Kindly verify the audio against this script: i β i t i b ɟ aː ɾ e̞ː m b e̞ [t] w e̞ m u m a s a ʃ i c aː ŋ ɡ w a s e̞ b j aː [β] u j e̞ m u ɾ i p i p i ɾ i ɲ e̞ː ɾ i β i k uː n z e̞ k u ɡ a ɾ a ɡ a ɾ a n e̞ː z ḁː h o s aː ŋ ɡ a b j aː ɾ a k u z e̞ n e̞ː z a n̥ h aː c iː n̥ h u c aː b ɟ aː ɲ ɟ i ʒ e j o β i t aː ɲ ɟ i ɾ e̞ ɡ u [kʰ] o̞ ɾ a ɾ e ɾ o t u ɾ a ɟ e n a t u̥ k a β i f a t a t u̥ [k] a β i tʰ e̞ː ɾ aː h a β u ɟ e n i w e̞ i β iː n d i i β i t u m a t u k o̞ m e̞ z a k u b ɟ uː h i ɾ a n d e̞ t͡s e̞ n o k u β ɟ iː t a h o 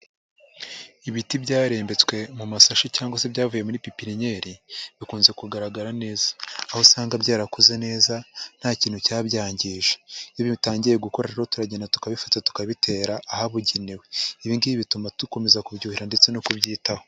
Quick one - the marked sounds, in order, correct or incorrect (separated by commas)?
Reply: incorrect, incorrect, incorrect, correct